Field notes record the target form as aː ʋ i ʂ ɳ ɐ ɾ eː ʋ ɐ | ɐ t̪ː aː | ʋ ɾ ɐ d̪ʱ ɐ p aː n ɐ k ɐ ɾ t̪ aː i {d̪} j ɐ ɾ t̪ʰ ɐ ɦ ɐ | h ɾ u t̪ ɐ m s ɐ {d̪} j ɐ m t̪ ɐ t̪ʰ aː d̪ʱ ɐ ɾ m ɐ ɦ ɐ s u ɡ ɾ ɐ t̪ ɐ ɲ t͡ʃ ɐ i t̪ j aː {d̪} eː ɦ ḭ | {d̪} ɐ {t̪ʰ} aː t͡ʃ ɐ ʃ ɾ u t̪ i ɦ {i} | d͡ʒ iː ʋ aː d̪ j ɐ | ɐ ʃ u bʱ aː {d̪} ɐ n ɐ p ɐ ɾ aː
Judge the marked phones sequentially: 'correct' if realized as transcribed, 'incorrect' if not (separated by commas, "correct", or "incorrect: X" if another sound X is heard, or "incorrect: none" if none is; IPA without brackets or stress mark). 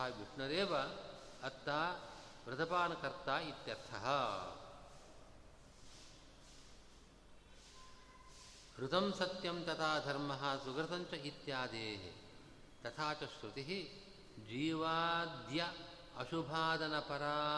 incorrect: t̪, incorrect: t̪, correct, incorrect: t̪, correct, correct, correct